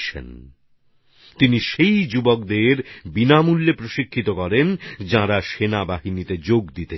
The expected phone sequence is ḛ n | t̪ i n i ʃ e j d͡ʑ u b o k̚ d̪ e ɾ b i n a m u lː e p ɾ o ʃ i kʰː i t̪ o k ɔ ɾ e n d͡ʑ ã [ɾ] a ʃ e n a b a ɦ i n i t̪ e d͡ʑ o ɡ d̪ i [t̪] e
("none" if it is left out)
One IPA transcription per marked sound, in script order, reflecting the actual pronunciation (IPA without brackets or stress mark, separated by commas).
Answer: ɾ, t̪